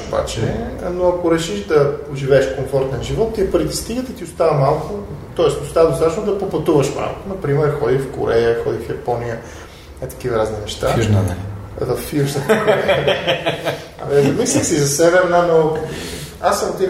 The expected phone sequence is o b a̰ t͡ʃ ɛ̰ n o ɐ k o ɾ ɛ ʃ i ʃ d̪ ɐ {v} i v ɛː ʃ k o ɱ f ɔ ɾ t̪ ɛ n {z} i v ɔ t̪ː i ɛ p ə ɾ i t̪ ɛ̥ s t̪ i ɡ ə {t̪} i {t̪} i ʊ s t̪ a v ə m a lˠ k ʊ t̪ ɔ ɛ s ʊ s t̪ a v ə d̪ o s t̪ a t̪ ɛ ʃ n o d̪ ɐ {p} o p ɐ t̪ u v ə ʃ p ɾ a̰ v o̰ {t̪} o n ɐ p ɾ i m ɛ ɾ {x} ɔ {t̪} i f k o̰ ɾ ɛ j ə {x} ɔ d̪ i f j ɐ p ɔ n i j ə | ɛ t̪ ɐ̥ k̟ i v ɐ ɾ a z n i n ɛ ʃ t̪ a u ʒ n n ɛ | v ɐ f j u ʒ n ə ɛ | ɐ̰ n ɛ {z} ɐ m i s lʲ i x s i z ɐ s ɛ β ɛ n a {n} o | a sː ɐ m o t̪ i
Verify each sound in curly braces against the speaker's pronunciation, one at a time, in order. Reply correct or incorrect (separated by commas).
incorrect, incorrect, correct, correct, correct, correct, correct, incorrect, correct, correct, correct